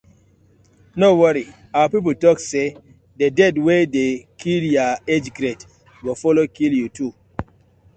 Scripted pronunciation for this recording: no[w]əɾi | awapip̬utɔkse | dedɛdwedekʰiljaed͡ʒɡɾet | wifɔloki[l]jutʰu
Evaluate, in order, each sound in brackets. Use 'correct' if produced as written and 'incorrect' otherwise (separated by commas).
correct, correct